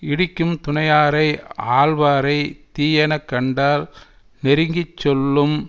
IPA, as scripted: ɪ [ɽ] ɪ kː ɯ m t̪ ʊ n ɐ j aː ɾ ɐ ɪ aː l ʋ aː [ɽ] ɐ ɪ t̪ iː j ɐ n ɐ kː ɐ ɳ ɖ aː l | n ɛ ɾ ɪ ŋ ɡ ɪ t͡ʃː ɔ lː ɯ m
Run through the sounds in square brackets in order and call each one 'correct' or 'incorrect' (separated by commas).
correct, incorrect